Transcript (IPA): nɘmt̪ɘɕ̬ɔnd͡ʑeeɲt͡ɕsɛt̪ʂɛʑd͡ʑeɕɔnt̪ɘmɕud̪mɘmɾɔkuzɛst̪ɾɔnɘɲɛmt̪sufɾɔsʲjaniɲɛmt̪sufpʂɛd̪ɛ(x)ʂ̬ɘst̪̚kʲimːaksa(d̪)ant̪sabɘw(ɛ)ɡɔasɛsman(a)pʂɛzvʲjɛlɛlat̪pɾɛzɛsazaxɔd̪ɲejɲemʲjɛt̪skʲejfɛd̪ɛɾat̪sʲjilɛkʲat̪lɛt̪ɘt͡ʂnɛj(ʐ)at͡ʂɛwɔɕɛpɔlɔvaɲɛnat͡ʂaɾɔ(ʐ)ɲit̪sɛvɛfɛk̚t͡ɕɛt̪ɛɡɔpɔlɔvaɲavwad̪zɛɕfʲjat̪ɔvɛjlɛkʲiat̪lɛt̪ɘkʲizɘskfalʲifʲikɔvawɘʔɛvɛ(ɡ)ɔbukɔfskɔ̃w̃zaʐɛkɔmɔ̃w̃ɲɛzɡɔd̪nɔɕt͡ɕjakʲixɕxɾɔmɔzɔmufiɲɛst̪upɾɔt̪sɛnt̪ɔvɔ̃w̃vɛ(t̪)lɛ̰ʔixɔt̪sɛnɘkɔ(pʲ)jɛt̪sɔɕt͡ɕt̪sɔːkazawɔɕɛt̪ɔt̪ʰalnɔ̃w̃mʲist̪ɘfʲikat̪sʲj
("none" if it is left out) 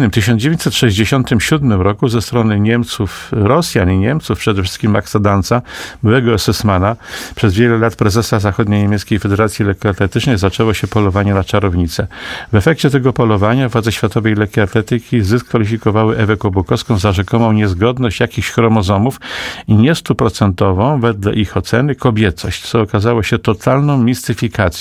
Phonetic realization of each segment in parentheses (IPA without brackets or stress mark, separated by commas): f, d̪, ɛ, a, z, v, k, d̪, bʲ